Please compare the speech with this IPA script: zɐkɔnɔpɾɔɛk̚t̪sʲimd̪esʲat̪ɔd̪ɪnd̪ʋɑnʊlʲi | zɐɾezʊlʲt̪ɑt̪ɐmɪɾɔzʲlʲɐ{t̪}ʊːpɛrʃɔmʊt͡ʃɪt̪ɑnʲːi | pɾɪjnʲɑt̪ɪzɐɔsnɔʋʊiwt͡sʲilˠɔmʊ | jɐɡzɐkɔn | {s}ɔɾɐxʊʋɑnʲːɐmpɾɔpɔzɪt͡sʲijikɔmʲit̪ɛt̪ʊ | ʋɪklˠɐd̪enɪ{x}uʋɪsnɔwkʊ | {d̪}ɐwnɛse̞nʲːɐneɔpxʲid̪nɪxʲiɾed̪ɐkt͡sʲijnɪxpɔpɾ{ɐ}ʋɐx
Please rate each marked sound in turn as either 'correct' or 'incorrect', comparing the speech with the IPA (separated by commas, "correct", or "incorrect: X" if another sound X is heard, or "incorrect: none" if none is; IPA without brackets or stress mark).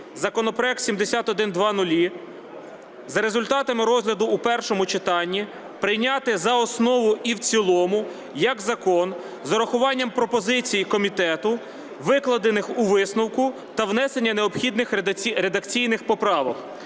incorrect: d̪, incorrect: z, correct, incorrect: t̪, incorrect: ɑ